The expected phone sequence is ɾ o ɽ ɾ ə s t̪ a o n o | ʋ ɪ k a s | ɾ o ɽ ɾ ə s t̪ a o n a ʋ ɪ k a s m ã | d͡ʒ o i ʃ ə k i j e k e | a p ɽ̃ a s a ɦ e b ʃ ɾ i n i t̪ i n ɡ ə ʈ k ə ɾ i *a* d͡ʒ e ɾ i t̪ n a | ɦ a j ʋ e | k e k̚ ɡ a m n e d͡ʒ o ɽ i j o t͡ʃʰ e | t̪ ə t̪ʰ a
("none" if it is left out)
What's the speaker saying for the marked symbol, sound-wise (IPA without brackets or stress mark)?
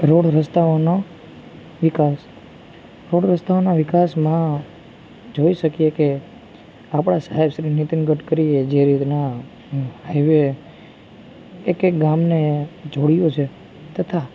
e